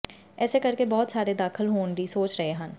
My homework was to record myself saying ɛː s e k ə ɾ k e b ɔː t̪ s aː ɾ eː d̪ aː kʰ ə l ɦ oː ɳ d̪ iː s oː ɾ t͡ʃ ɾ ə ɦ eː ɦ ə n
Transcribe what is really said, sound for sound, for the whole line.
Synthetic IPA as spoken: ɛː s e k ə ɾ k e b ɔː t̪ s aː ɾ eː d̪ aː kʰ ə l ɦ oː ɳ d̪ iː s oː t͡ʃ ɾ ə ɦ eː ɦ ə n